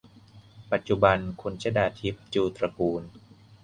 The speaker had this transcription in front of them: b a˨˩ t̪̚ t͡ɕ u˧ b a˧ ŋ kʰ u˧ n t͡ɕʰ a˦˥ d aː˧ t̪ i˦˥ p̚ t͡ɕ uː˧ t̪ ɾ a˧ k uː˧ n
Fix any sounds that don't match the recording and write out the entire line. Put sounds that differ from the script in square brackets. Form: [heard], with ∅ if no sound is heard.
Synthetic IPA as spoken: [p] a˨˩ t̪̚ t͡ɕ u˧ b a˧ [n] kʰ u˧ n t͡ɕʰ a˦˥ d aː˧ [t̪ʰ] i˦˥ p̚ t͡ɕ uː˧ t̪ ɾ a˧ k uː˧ n